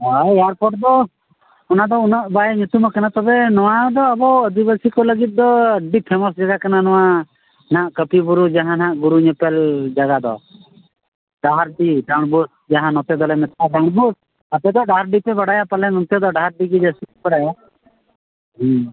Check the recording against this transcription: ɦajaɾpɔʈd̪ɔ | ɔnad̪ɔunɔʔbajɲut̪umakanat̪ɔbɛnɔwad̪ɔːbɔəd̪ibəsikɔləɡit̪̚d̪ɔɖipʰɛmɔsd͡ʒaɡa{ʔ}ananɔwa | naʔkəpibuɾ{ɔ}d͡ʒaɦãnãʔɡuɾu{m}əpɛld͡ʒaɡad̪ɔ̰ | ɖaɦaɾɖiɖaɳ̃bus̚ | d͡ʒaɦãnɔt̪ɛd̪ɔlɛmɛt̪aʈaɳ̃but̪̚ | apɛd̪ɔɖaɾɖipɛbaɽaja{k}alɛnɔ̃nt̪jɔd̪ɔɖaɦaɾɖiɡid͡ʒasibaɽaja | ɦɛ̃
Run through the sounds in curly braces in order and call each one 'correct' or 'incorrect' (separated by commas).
incorrect, incorrect, incorrect, incorrect